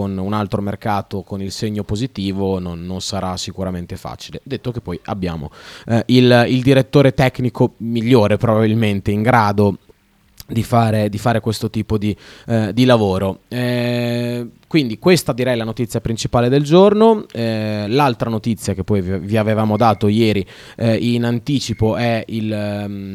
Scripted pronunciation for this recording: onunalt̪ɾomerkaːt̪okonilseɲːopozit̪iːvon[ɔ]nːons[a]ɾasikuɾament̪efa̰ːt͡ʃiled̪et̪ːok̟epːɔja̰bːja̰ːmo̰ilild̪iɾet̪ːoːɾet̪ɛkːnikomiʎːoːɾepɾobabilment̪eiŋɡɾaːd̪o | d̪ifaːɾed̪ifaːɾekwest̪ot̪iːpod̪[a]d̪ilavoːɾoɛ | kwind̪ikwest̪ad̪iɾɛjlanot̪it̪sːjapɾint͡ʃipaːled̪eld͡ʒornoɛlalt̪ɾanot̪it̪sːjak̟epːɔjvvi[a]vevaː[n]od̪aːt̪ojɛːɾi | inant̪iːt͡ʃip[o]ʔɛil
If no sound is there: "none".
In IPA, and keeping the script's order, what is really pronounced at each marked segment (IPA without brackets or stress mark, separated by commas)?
o, a, i, a, m, o